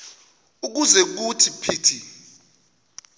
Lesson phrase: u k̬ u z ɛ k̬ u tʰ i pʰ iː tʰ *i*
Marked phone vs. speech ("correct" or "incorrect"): correct